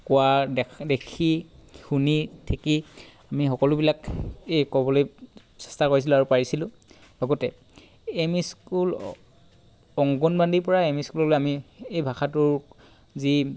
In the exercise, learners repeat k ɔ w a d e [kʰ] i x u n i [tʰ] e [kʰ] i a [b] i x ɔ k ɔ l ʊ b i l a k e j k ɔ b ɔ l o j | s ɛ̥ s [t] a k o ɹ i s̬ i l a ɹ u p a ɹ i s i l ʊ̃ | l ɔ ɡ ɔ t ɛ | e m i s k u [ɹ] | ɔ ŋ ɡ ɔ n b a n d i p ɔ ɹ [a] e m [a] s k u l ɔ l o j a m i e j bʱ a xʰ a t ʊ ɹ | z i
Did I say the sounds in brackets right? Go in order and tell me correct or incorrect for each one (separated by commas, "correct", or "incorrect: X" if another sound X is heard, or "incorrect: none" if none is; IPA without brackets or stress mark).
correct, correct, incorrect: k, incorrect: m, correct, incorrect: l, correct, incorrect: i